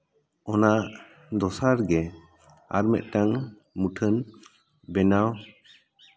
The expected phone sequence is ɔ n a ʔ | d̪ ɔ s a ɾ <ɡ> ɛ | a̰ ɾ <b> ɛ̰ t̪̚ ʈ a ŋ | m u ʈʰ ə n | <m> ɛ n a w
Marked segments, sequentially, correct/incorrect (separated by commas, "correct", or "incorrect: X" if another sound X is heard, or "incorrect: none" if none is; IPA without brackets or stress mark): correct, incorrect: m, incorrect: b